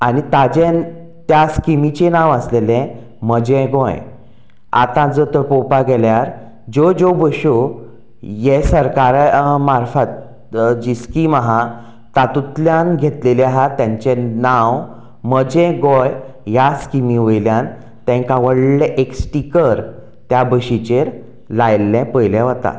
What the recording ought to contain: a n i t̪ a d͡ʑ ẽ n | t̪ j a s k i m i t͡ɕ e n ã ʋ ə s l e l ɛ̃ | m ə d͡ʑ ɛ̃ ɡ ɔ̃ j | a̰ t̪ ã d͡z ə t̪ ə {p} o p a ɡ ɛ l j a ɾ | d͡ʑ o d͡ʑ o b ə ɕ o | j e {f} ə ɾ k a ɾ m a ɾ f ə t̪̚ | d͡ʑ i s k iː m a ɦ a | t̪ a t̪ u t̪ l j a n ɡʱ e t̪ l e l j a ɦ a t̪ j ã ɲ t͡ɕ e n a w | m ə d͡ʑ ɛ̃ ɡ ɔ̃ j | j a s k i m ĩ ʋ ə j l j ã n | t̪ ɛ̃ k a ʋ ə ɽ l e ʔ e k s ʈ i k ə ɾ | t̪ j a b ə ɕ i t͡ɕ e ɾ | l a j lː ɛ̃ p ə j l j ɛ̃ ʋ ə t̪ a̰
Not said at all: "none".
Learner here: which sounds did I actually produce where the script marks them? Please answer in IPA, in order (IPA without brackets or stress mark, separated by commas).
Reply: p, s